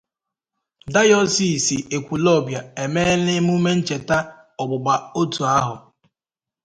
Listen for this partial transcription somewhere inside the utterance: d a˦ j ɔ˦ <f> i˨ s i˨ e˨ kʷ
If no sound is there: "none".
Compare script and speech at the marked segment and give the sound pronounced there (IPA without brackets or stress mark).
s